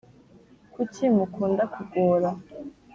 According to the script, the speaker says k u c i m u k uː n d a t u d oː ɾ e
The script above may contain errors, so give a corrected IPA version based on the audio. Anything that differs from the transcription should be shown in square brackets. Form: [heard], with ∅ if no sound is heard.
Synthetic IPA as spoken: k u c i m u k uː n d a [k] u [ɡ] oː ɾ [a]